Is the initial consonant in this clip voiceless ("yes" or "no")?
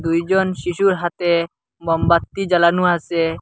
no